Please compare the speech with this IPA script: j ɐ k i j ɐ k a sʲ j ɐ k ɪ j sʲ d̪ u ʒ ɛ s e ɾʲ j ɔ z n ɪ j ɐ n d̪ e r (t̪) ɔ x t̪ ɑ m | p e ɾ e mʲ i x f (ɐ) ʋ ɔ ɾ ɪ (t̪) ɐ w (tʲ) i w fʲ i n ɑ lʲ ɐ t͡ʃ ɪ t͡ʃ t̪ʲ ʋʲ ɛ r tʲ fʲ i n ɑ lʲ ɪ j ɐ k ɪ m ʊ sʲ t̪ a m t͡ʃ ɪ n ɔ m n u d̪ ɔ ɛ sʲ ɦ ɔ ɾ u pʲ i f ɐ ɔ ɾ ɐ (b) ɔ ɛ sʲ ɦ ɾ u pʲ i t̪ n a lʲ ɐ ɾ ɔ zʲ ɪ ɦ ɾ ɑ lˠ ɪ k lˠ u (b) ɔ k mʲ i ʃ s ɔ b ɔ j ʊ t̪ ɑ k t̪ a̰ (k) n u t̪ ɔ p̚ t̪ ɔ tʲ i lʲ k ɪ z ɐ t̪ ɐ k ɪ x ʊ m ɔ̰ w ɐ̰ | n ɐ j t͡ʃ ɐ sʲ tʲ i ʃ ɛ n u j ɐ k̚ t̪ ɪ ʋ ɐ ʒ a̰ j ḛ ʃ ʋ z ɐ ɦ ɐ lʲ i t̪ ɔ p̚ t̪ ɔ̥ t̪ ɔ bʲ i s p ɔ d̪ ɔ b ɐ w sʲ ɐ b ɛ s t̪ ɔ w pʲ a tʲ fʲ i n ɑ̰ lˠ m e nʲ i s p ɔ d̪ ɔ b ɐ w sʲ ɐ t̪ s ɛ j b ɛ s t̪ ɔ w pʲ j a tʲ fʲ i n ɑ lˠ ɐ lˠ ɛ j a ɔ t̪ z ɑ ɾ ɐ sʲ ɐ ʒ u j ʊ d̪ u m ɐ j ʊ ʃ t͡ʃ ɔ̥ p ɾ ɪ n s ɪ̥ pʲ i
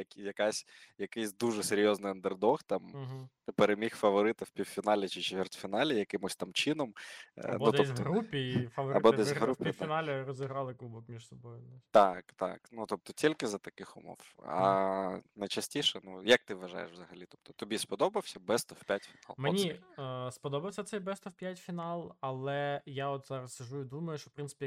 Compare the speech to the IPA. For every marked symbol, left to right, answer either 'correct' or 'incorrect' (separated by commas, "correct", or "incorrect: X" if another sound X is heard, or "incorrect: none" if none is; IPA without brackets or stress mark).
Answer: incorrect: d̪, correct, correct, incorrect: pʲ, correct, correct, correct